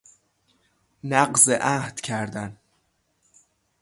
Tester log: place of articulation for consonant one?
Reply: alveolar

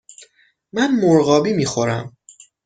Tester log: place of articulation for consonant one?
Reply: labial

